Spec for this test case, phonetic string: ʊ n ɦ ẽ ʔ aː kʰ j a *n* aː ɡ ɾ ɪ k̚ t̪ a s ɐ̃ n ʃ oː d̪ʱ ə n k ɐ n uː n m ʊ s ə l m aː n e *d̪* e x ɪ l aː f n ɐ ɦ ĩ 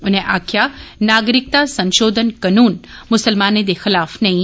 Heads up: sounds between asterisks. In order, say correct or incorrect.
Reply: correct, correct

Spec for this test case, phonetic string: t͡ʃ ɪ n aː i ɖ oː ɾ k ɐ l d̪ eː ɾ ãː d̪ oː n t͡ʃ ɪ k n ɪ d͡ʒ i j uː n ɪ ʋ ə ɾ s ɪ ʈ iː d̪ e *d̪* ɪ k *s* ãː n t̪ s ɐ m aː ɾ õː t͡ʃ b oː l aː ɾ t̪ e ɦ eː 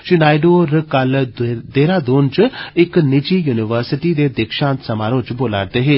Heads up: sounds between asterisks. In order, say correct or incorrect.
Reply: correct, incorrect: ʃ

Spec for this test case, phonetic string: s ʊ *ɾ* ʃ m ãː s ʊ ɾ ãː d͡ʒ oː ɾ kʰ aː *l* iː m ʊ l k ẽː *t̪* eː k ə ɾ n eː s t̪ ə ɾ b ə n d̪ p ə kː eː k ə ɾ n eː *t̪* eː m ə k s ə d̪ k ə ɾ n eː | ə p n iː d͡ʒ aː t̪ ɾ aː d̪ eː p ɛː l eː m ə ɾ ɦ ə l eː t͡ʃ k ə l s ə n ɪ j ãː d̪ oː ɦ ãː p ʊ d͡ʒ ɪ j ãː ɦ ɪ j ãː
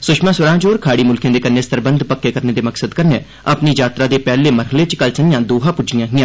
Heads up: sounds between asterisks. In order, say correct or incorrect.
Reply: incorrect: none, incorrect: ɽ, incorrect: d̪, incorrect: d̪

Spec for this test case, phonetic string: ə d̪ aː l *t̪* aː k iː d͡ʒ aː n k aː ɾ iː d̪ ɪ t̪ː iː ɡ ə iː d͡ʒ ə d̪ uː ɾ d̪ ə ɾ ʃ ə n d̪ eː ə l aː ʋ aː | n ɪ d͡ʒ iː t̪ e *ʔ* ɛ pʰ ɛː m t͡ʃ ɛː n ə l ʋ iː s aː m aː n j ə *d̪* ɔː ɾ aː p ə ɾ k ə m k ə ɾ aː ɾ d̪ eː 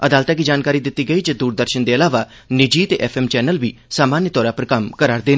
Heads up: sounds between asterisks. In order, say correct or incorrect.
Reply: correct, correct, incorrect: t̪

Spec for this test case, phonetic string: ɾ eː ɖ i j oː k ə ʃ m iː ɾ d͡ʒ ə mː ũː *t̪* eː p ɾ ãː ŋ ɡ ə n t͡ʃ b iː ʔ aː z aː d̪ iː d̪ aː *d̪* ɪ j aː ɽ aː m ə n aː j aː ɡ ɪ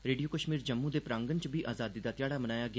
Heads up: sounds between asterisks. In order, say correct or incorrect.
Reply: incorrect: d̪, incorrect: t̪

